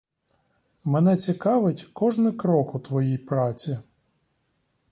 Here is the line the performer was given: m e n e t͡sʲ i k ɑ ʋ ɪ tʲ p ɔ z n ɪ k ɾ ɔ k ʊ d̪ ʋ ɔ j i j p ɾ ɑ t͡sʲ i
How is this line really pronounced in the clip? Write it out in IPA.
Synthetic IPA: m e n ɛ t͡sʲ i k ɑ ʋ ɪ tʲ k ɔ ʒ n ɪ k ɾ ɔ k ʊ t̪ ʋ ɔ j i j p ɾ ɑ t͡sʲ i

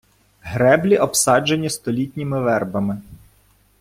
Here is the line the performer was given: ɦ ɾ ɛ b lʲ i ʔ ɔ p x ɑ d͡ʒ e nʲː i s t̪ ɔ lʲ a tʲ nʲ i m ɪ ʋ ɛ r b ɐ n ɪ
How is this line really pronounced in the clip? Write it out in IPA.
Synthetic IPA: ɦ ɾ ɛ b lʲ i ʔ ɔ p s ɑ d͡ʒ e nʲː i s t̪ ɔ lʲ i tʲ nʲ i m ɪ ʋ ɛ r b ɐ m ɪ

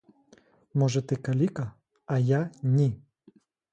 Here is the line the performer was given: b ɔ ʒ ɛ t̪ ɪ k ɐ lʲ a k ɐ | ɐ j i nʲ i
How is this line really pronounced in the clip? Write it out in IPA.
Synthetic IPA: m ɔ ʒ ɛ t̪ ɪ k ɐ lʲ i k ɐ | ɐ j a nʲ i

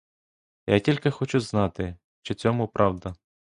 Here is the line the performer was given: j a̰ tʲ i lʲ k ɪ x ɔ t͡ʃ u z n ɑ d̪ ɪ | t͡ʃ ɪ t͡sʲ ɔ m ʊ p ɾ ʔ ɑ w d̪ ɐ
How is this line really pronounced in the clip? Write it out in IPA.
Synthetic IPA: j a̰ tʲ i lʲ k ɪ x ɔ t͡ʃ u z n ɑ t̪ ɪ | t͡ʃ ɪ t͡sʲ ɔ m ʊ p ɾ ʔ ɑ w d̪ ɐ

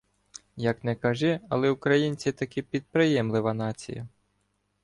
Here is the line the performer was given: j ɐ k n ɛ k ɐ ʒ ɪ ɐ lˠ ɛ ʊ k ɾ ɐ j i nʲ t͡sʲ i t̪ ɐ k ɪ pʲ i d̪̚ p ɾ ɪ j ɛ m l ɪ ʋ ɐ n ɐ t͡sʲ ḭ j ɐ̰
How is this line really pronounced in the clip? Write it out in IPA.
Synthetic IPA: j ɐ k n ɛ k ɐ ʒ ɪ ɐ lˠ ɛ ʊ k ɾ ɐ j i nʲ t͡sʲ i t̪ ɐ k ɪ pʲ i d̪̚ p ɾ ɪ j ɛ m l ɪ ʋ ɐ n ɑ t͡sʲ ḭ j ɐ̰

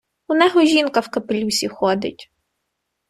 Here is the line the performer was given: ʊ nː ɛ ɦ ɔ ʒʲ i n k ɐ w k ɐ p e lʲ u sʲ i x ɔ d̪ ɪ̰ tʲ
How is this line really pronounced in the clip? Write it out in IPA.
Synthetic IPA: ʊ n ɛ ɦ ɔ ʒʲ i n k ɐ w k ɐ p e lʲ u sʲ i x ɔ d̪ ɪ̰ tʲ

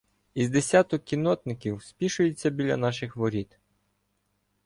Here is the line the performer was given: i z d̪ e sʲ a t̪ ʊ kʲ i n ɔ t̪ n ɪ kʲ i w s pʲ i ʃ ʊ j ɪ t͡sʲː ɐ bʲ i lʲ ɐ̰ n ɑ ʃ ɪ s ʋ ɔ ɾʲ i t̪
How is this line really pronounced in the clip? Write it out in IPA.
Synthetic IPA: i z d̪ e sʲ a t̪ ʊ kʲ i n ɔ t̪ n ɪ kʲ i w s pʲ i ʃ ʊ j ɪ t͡sʲː ɐ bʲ i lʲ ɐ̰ n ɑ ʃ ɪ x ʋ ɔ ɾʲ i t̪

